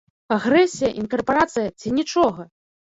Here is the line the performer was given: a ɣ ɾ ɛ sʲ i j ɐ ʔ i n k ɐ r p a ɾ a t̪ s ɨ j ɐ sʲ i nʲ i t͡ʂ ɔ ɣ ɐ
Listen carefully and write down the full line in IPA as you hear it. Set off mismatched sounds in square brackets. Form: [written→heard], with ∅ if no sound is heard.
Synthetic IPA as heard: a ɣ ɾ ɛ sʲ i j ɐ ʔ i n k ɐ r p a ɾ a t̪ s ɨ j ɐ [sʲ→t͡sʲ] i nʲ i t͡ʂ ɔ ɣ ɐ